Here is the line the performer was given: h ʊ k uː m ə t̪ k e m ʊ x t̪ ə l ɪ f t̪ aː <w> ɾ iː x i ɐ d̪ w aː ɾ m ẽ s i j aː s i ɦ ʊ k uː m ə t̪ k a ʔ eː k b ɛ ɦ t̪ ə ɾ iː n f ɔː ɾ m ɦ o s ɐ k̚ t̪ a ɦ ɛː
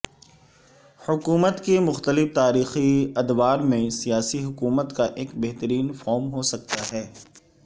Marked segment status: incorrect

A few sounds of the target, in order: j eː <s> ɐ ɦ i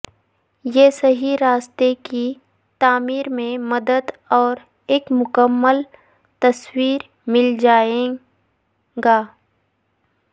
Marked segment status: correct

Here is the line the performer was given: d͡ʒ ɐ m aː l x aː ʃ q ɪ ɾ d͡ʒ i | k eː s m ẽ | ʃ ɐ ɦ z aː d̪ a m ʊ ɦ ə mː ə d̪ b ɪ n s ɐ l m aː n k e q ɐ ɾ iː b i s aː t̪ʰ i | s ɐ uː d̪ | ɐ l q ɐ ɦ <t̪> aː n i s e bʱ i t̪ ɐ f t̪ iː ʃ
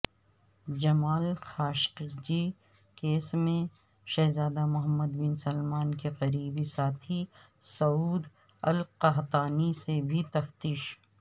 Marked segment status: correct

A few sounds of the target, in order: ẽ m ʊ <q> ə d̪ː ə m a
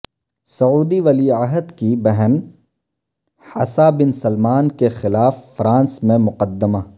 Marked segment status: correct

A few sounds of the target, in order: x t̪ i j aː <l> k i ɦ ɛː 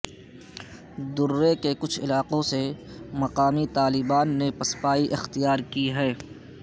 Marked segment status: incorrect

